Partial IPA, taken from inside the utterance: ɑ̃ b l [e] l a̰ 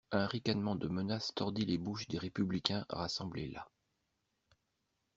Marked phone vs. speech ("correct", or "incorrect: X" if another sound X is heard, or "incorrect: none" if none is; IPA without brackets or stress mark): correct